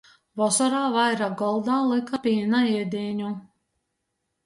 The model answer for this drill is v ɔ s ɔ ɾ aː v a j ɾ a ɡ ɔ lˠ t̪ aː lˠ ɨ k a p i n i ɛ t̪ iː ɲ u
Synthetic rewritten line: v ɔ s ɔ ɾ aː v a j ɾ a ɡ ɔ lˠ d̪ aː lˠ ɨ k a p i n a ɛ d̪ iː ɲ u